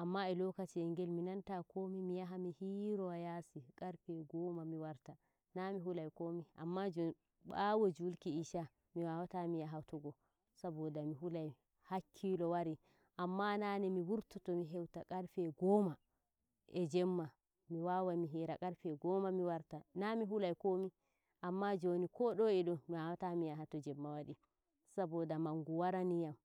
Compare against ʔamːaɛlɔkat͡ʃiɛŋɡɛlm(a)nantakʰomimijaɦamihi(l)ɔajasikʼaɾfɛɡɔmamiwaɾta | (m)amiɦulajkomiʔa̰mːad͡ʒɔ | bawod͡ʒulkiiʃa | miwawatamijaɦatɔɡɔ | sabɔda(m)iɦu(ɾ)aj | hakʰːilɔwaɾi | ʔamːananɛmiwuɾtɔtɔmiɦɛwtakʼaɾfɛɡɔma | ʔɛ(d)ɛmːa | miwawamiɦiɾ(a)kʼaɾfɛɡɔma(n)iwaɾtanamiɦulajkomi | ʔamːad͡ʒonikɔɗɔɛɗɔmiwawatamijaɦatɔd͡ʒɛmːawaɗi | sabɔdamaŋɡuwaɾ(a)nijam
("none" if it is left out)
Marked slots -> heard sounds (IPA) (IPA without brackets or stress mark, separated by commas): i, ɾ, n, m, l, d͡ʒ, a, m, a